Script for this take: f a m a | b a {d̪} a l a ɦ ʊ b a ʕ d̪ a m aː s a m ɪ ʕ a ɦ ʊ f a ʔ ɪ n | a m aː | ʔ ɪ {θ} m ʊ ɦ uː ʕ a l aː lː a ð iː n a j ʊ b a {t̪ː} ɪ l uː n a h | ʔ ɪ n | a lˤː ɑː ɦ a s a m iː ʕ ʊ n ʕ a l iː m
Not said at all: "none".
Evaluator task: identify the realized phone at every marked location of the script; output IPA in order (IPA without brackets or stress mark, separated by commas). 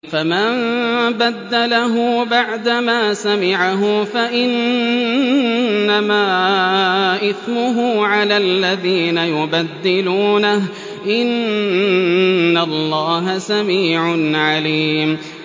d̪ː, θ, d̪ː